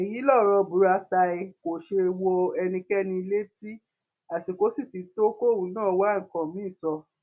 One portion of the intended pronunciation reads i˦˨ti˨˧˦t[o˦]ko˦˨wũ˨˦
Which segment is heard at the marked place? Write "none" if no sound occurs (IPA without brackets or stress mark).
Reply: o˦